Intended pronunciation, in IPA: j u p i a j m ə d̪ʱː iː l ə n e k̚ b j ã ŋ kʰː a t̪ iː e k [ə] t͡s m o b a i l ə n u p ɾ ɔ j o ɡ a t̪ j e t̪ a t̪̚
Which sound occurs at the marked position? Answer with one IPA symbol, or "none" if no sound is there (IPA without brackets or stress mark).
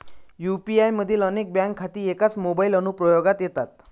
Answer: a